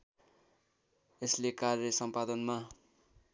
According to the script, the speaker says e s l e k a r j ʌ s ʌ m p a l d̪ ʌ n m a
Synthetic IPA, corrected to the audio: e s l e k a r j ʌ s ʌ m p a d̪ ʌ n m a